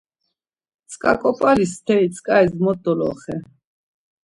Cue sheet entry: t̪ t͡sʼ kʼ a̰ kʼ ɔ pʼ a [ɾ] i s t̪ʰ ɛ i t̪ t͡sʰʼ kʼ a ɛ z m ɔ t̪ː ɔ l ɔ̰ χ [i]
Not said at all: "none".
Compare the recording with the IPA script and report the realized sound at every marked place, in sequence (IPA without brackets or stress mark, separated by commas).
l, ɛ